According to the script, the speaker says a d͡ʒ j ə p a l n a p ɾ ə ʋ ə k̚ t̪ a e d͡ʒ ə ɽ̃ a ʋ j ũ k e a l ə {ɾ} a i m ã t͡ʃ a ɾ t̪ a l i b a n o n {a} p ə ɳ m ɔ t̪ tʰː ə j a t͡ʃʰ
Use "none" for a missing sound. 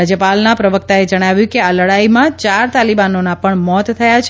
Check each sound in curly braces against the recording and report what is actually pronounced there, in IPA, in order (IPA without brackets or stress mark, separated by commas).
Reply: ɽ, a